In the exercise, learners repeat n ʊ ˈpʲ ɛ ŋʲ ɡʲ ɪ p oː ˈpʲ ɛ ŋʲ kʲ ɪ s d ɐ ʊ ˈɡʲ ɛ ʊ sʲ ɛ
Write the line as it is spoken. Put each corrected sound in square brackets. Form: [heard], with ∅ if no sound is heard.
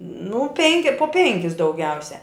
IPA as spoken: n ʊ ˈpʲ ɛ ŋʲ [kʲ] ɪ p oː ˈpʲ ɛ ŋʲ kʲ ɪ s d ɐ ʊ ˈɡʲ ɛ ʊ sʲ ɛ